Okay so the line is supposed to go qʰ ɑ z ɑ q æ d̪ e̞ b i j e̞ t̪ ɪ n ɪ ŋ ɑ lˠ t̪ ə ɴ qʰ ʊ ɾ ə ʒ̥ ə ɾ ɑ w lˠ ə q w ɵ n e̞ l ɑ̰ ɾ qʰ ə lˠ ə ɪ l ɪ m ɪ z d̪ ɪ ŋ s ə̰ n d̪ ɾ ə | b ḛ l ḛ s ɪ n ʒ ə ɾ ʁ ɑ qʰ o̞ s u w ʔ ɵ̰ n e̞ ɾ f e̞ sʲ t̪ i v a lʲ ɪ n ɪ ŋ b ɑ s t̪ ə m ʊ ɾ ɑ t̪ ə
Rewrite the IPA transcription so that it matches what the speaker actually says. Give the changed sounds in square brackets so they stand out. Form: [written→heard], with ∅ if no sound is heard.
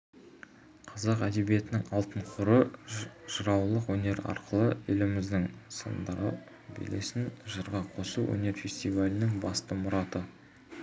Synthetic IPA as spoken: qʰ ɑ z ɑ q æ d̪ e̞ b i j e̞ t̪ ɪ n ɪ ŋ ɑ lˠ t̪ ə ɴ qʰ ʊ ɾ ə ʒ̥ ə ɾ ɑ w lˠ ə q w ɵ n e̞ [l→ɾ] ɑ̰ ɾ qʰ ə lˠ ə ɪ l ɪ m ɪ z d̪ ɪ ŋ s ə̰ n d̪ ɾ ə | b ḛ l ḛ s ɪ n ʒ ə ɾ ʁ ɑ qʰ o̞ s u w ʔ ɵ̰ n e̞ ɾ f e̞ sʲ t̪ i v a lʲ ɪ n ɪ ŋ b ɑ s t̪ ə m ʊ ɾ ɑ t̪ ə